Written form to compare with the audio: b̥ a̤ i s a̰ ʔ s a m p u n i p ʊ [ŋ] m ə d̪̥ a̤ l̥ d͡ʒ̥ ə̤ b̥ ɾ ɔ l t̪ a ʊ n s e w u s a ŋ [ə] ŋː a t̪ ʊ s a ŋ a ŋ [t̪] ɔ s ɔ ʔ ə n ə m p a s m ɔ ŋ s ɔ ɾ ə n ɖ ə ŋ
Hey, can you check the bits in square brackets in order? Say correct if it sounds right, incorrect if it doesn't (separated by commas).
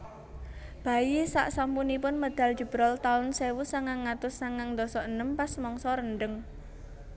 incorrect, incorrect, incorrect